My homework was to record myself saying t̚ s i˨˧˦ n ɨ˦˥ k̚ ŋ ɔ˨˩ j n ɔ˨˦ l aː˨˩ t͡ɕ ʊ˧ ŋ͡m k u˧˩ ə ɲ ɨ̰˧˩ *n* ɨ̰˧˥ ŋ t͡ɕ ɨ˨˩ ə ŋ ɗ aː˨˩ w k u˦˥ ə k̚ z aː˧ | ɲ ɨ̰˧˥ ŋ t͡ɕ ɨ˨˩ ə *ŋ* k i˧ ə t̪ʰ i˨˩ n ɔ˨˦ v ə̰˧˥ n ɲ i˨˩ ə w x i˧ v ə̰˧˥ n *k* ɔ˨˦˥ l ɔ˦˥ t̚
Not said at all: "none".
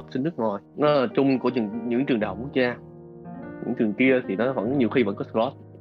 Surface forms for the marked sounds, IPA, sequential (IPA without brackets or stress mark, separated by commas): ɲ, ŋ, k